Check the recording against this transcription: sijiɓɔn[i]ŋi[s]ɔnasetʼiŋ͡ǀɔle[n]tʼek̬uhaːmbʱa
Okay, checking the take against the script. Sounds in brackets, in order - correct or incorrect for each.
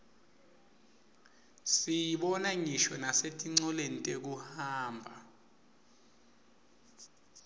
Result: incorrect: a, incorrect: ʃ, correct

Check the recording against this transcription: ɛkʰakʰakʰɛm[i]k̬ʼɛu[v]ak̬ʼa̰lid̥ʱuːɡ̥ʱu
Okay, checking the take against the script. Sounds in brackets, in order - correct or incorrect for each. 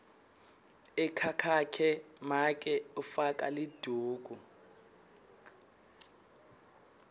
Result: incorrect: a, incorrect: f

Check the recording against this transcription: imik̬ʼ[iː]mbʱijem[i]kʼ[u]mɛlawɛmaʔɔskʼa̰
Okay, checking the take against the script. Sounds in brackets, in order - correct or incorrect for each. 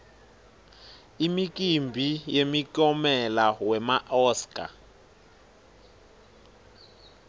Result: incorrect: i, correct, incorrect: ɔ

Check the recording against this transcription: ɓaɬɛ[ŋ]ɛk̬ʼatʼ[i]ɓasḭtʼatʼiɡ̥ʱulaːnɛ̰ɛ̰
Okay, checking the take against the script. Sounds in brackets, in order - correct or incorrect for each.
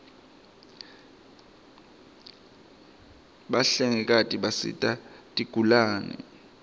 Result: correct, correct

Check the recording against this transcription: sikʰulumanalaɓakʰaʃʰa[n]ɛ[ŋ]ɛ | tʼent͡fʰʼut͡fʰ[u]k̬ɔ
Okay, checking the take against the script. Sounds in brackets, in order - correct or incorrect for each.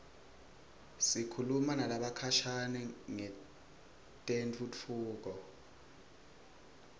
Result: correct, correct, incorrect: uː

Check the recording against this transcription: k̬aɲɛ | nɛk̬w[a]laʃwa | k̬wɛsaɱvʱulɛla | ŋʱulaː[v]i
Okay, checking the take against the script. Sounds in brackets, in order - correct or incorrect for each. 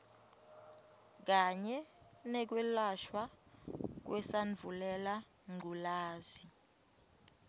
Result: incorrect: ɛ, incorrect: z

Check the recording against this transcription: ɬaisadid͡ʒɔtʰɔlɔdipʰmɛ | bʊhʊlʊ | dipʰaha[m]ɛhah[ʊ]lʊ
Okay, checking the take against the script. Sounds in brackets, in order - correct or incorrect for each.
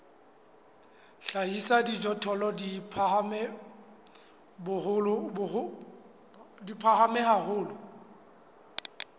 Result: correct, incorrect: ʊː

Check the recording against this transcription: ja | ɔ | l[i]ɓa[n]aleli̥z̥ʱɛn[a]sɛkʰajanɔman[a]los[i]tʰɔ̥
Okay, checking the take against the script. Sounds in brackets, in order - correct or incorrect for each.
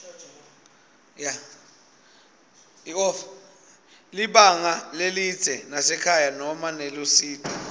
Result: correct, incorrect: ŋ, correct, incorrect: ɛ, incorrect: iː

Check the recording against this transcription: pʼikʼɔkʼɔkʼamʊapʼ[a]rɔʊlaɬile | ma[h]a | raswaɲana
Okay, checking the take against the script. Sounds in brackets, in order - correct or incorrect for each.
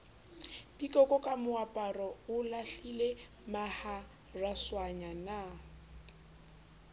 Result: correct, correct

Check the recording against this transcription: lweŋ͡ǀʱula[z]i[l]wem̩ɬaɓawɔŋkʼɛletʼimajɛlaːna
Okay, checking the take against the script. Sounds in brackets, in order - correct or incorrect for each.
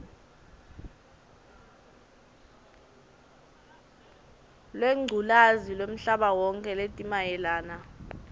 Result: correct, correct

